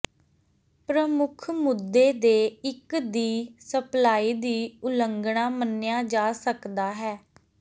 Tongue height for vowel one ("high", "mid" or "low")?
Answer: mid